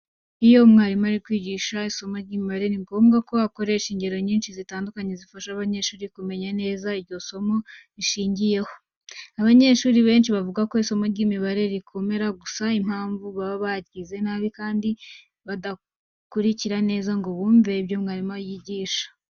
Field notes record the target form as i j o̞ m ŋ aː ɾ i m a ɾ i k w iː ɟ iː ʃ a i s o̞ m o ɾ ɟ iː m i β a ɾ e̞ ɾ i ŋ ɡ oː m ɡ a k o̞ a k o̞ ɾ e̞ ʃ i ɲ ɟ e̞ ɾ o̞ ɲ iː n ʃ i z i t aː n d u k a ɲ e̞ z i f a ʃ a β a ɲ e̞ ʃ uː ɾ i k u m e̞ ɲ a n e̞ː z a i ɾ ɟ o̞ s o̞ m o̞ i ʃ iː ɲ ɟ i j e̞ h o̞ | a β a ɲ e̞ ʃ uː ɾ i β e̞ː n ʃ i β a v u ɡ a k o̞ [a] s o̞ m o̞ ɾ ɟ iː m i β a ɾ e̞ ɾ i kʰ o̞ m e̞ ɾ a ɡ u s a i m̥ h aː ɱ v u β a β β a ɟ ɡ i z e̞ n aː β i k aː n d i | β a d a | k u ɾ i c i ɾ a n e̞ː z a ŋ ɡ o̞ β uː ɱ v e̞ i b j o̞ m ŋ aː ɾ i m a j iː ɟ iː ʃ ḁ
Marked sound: incorrect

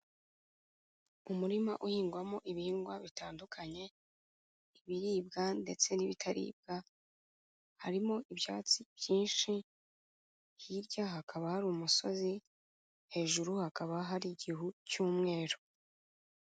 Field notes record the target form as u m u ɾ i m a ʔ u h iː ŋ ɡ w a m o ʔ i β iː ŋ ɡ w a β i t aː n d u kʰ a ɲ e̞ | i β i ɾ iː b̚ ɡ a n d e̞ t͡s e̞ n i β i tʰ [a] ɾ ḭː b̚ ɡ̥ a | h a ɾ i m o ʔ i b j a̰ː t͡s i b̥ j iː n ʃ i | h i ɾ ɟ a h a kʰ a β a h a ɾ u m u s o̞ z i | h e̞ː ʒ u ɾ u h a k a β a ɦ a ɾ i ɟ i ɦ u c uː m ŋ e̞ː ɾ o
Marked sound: correct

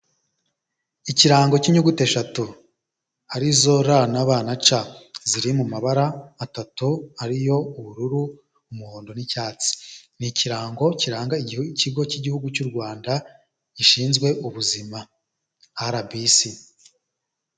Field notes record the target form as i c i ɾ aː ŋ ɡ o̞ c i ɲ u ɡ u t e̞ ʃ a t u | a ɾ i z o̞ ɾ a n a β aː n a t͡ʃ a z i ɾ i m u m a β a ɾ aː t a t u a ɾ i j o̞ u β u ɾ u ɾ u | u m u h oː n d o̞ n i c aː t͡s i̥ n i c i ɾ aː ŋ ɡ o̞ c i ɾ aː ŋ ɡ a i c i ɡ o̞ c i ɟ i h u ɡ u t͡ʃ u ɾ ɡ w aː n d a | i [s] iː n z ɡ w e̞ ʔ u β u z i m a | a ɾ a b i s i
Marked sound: incorrect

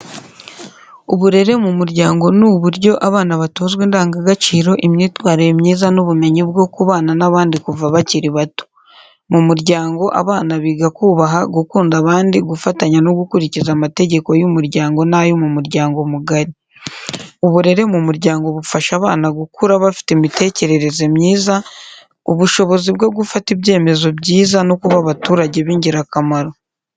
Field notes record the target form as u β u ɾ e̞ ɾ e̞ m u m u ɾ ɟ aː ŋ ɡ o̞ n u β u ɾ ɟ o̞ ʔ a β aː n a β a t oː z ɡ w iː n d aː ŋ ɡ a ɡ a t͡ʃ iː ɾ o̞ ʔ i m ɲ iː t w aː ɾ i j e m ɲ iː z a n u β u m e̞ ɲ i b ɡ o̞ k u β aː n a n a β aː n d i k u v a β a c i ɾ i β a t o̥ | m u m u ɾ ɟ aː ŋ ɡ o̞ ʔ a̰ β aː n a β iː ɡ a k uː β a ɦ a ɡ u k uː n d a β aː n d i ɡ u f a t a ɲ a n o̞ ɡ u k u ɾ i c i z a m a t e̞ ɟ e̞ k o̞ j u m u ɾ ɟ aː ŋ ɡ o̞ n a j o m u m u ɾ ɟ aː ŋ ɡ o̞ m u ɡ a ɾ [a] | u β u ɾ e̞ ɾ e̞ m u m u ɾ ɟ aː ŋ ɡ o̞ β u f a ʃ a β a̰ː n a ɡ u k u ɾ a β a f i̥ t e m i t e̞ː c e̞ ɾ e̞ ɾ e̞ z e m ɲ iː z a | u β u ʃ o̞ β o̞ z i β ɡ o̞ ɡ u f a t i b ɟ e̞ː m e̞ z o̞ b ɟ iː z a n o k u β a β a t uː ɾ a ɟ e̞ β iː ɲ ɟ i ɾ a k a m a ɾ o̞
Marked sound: incorrect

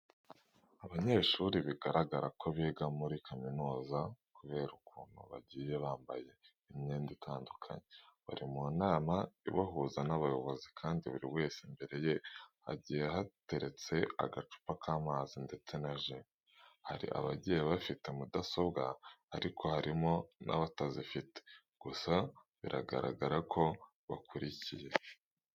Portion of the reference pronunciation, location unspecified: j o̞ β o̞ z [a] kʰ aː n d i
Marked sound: incorrect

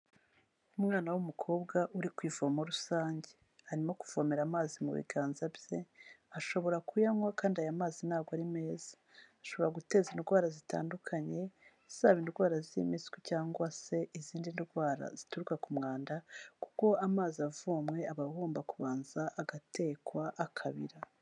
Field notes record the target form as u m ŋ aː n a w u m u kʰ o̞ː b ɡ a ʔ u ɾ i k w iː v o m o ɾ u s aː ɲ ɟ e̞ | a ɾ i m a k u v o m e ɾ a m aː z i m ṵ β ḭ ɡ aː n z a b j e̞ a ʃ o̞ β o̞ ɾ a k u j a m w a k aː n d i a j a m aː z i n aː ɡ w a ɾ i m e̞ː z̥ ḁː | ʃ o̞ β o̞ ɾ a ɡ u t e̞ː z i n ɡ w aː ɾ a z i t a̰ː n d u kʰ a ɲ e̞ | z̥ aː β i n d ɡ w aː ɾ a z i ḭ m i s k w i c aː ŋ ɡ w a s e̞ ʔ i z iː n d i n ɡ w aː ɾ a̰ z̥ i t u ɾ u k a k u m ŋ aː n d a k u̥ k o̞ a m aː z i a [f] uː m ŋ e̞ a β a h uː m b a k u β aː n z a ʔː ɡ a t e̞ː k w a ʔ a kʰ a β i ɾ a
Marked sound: incorrect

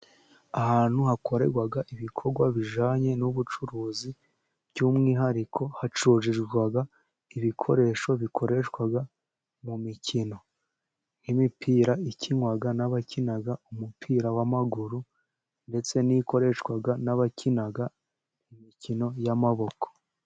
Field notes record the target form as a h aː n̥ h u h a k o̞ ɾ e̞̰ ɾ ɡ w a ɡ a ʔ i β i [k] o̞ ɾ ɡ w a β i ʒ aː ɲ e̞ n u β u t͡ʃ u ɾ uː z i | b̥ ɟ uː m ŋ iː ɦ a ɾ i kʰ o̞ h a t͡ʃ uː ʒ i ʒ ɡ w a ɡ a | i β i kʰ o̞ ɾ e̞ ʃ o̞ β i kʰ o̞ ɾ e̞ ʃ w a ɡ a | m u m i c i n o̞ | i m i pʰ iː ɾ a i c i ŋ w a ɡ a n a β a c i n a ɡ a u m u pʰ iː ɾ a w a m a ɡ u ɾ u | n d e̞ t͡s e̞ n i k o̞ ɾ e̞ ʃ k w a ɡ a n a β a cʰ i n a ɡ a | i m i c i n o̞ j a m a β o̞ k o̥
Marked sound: incorrect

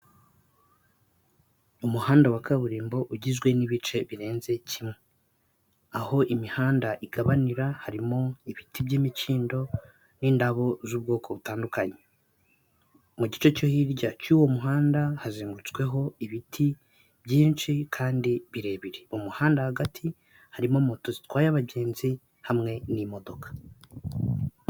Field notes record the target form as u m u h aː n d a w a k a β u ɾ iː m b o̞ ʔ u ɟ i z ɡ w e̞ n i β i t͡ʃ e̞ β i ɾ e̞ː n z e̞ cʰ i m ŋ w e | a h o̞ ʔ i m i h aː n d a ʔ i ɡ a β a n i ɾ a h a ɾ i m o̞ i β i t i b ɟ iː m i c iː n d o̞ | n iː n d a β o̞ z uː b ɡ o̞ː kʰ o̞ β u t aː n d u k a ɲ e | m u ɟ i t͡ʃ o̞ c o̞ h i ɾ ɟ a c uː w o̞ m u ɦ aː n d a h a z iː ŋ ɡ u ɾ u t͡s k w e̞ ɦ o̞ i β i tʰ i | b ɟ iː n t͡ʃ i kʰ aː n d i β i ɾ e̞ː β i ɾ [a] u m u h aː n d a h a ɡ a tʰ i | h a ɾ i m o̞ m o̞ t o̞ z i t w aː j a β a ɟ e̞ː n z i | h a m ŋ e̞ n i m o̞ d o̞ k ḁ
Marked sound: incorrect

